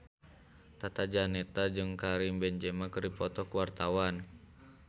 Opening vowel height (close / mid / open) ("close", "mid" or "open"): open